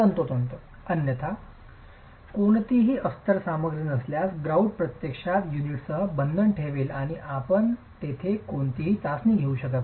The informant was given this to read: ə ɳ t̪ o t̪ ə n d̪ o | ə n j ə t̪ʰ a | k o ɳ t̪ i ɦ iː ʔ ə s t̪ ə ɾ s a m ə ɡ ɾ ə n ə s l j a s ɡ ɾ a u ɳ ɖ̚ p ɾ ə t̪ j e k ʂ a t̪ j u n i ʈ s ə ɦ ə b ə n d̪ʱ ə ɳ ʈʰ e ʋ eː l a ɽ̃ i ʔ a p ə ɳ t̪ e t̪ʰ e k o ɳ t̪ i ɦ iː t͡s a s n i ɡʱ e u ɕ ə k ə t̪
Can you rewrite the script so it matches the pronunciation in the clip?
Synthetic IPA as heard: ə n t̪ o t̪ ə n t̪ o | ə n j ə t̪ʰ a | k o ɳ t̪ i ɦ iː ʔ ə s t̪ ə ɾ s a m ə ɡ ɾ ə n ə s l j a s ɡ ɾ a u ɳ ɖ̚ p ɾ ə t̪ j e k ʂ a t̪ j u n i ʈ s ə ɦ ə b ə n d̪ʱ ə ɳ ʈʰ e ʋ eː l a ɽ̃ i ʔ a p ə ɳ t̪ e t̪ʰ e k o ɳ t̪ i ɦ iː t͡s a s n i ɡʱ e u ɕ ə k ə t̪